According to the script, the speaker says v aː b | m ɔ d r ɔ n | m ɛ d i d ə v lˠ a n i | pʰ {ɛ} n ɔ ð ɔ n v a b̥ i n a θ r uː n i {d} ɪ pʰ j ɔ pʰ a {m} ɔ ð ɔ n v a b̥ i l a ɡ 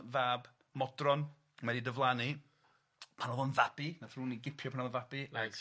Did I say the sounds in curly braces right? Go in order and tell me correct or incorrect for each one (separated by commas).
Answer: incorrect, incorrect, incorrect